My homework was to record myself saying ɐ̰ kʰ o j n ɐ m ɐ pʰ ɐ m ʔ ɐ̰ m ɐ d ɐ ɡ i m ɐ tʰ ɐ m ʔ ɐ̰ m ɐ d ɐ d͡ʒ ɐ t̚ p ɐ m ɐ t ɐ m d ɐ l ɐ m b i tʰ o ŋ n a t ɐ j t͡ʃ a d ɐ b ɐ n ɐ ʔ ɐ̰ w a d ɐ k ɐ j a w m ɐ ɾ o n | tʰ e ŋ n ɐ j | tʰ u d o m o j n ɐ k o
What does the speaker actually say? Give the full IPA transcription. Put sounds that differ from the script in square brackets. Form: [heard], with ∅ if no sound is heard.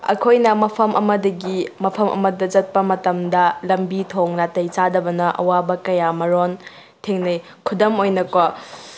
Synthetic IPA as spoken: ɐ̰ kʰ o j n ɐ m ɐ pʰ ɐ m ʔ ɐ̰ m ɐ d ɐ ɡ i m ɐ [pʰ] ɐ m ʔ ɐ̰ m ɐ d ɐ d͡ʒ ɐ t̚ p ɐ m ɐ t ɐ m d ɐ l ɐ m b i tʰ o ŋ n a t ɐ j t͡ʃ a d ɐ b ɐ n ɐ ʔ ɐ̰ w a [b] ɐ k ɐ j a [∅] m ɐ ɾ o n | tʰ e ŋ n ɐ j | [kʰ] u d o m o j n ɐ k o

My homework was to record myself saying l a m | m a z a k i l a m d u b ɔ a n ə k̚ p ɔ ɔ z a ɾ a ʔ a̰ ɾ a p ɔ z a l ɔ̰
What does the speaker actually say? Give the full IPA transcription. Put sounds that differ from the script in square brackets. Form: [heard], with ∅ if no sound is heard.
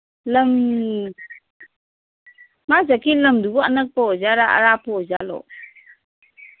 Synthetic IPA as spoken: l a m | m a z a k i l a m d u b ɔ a n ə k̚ p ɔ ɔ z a ɾ a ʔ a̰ ɾ a p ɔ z a l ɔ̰

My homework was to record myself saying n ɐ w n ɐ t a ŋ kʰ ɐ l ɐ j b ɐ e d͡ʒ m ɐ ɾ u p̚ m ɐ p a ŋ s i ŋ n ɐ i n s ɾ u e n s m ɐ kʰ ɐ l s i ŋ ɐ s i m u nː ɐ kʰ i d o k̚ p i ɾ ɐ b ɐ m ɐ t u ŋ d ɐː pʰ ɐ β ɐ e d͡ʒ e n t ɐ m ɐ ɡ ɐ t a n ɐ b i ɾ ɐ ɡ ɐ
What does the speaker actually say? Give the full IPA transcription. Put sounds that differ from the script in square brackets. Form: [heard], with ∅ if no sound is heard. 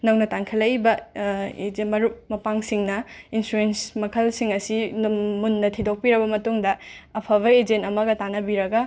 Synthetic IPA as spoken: n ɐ w n ɐ t a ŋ kʰ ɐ l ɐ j b ɐ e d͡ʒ m ɐ ɾ u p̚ m ɐ p a ŋ s i ŋ n ɐ i n s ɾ u e n s m ɐ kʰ ɐ l s i ŋ ɐ s i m u nː ɐ [tʰ] i d o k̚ p i ɾ ɐ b ɐ m ɐ t u ŋ d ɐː pʰ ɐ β ɐ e d͡ʒ e n t ɐ m ɐ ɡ ɐ t a n ɐ b i ɾ ɐ ɡ ɐ

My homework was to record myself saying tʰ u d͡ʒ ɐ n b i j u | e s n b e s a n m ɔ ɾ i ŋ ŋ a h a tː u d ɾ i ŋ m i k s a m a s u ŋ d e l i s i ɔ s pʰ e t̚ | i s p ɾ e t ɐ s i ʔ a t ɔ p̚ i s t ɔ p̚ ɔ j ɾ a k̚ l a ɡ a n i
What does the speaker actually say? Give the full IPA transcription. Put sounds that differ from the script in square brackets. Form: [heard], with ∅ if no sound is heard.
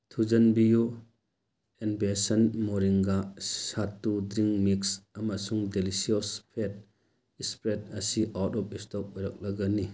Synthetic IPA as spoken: tʰ u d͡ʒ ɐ n b i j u | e [∅] n b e s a n m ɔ ɾ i ŋ [ɡ] a [s] a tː u d ɾ i ŋ m i k s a m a s u ŋ d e l i s i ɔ s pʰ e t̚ | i s p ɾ e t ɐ s i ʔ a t ɔ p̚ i s t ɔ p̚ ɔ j ɾ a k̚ l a ɡ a n i

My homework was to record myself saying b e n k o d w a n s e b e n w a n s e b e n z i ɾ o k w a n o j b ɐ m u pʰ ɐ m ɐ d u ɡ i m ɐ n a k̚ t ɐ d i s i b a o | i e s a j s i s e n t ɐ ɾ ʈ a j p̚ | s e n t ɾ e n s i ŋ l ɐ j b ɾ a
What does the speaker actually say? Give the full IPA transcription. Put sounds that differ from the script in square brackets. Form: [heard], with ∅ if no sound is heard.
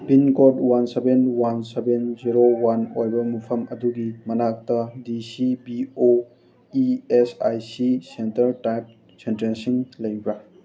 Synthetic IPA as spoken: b [i] n k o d w a n s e b e n w a n s e b e n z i ɾ o [∅] w a n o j b ɐ m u pʰ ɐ m ɐ d u ɡ i m ɐ n a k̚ t ɐ d i s i b [i] o | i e s a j s i s e n t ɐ ɾ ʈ a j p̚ | s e n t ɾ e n s i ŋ l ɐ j b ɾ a

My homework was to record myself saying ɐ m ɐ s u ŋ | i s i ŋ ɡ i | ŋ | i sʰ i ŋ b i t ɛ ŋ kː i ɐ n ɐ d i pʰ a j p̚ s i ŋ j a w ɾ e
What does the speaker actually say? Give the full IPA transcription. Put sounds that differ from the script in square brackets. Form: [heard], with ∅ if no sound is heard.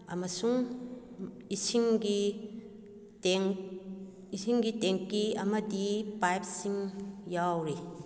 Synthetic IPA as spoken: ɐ m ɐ s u ŋ | i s i ŋ ɡ i | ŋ | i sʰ i ŋ [ɡ] i t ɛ ŋ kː i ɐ [m] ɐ d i [p] a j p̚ s i ŋ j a w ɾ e

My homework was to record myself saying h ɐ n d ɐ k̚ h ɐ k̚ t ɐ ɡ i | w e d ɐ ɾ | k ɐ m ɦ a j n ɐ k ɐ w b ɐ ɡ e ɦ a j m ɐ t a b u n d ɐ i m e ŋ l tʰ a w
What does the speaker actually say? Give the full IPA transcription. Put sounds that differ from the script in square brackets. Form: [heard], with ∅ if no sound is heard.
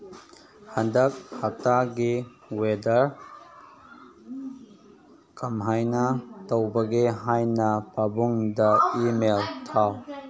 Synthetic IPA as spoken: h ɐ n d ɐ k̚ h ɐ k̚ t [a] ɡ i | w e d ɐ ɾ | k ɐ m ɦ a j n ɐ [t] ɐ w b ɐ ɡ e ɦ a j [n] ɐ [p] a b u [ŋ] d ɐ i m e [∅] l tʰ a w

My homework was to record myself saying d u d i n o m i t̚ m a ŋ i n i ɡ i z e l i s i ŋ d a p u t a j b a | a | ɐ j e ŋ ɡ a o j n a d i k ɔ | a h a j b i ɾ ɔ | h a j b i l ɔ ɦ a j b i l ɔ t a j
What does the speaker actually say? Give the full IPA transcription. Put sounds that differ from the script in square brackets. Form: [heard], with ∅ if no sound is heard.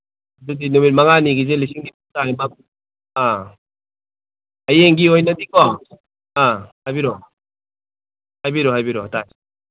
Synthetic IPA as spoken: d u d i n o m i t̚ m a ŋ [a] n i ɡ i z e l i s i ŋ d [i] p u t a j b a | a | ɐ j e ŋ ɡ [i] o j n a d i k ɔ | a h a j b i ɾ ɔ | h a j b i [ɾ] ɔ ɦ a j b i [ɾ] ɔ t a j

